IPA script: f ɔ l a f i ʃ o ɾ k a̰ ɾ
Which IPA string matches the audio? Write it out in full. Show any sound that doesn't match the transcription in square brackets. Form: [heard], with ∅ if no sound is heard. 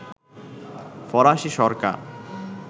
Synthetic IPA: f ɔ [ɾ] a [ʃ] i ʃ [ɔ] ɾ k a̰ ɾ